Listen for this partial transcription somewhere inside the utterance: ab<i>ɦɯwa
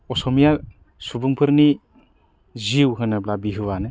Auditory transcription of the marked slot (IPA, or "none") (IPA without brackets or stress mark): i